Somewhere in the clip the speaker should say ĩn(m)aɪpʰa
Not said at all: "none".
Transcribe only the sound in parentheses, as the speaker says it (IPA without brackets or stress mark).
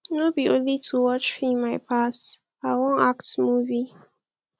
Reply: m